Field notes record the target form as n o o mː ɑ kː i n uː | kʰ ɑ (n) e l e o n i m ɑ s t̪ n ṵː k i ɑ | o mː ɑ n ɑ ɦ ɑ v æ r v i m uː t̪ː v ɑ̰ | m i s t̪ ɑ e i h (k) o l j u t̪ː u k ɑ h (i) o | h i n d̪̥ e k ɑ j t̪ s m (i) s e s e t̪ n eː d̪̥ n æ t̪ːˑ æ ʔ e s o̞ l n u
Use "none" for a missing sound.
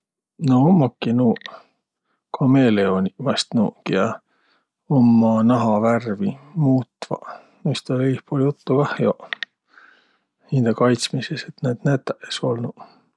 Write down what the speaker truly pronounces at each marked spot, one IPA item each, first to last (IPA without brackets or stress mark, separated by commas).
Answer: m, p, j, i